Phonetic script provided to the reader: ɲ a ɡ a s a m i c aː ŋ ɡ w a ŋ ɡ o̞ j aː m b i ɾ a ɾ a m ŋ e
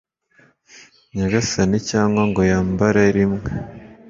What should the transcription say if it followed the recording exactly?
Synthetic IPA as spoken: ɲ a ɡ a s a n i c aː ŋ ɡ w a ŋ ɡ o̞ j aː m b a ɾ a ɾ i m ŋ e